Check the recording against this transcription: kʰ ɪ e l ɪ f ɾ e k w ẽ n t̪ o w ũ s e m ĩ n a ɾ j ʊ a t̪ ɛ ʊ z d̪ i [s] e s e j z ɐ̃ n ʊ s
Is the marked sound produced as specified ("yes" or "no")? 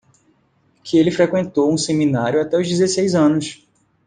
no